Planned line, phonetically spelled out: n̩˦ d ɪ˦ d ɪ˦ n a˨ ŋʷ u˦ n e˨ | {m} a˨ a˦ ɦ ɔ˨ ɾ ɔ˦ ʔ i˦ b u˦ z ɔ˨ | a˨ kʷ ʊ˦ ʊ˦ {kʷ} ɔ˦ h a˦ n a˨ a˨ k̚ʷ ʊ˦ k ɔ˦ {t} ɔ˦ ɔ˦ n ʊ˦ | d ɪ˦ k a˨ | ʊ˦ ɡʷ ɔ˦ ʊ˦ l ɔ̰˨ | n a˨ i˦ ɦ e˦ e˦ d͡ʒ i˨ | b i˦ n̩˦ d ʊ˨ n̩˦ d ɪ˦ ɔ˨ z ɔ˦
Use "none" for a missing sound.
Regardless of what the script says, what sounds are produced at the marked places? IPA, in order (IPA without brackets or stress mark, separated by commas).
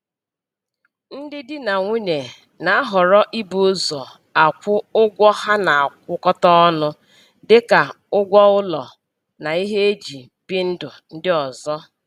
n, ɡʷ, t